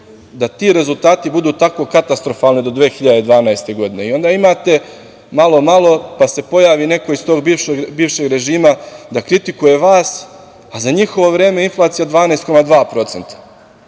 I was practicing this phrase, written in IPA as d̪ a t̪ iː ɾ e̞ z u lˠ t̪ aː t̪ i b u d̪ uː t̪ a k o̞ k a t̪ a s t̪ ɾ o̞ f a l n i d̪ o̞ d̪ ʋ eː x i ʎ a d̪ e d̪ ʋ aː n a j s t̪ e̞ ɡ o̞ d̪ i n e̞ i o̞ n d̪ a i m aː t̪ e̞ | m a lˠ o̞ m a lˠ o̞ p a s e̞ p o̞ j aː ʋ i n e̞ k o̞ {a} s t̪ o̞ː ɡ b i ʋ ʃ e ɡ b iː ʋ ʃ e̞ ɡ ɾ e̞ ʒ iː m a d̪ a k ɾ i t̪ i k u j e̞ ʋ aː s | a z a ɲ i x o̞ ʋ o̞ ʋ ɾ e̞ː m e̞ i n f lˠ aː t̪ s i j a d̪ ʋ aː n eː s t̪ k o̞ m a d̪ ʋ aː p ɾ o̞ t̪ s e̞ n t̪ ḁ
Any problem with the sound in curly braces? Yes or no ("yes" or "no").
yes